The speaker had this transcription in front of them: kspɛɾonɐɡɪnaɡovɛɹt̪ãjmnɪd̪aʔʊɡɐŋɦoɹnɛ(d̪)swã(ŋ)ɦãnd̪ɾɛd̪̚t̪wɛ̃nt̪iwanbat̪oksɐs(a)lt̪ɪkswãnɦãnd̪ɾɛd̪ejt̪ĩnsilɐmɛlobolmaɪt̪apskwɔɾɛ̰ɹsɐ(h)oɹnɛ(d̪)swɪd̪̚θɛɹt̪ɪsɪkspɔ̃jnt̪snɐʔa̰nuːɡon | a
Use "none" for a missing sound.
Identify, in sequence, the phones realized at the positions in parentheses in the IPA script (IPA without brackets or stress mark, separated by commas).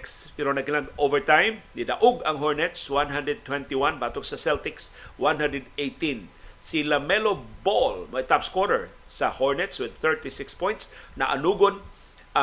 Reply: t̪, n, ɛ, h, t̪